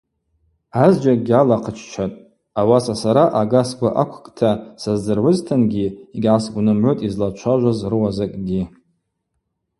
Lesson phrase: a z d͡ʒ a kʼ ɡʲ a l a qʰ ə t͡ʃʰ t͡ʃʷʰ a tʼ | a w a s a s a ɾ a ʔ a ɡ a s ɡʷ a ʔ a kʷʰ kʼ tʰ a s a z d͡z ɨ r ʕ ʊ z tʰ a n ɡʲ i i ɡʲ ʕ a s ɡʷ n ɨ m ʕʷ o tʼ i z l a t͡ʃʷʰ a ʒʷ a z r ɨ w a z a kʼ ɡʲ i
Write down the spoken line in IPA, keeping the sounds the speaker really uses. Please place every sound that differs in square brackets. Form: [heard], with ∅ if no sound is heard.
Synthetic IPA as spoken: a z d͡ʒ a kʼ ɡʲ a l a qʰ ə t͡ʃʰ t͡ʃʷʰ a tʼ | a w a s a s a ɾ a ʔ a ɡ a s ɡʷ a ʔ a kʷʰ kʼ tʰ a s a z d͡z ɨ r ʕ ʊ z tʰ a n ɡʲ i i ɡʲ ʕ a s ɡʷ n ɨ m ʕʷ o tʼ i z l a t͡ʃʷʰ a ʒʷ a z r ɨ w a z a kʼ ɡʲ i